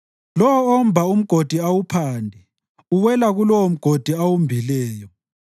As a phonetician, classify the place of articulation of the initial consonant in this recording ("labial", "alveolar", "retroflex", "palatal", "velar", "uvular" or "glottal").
alveolar